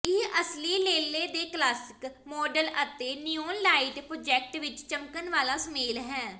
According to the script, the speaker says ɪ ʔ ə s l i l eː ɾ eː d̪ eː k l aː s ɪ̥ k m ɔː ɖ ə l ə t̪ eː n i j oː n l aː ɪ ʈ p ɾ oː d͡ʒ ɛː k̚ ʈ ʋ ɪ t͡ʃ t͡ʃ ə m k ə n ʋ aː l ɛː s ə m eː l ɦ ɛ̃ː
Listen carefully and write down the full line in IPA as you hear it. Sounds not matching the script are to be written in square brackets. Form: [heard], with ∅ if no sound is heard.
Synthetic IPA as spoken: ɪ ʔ ə s l [iː] l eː [l] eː d̪ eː k l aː s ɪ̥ k m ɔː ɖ ə l ə t̪ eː n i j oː n l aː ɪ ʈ p ɾ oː d͡ʒ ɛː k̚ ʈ ʋ ɪ t͡ʃ t͡ʃ ə m k ə n ʋ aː l [aː] s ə m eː l ɦ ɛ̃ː